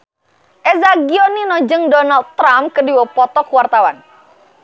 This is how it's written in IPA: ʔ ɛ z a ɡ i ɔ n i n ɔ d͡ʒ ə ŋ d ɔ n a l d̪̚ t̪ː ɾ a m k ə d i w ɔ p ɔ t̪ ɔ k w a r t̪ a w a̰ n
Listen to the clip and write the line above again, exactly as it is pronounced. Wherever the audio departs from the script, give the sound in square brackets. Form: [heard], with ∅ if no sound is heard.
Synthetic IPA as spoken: ʔ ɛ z a ɡ i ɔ n i n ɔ d͡ʒ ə ŋ d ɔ n a l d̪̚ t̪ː ɾ a m k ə d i w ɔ p ɔ t̪ ɔ k w a r t̪ a w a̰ n